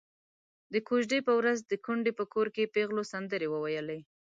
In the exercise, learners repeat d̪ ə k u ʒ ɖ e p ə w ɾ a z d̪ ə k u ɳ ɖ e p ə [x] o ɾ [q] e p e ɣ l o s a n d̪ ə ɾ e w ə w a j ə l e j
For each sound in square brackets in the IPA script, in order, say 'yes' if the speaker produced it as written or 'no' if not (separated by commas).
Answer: no, no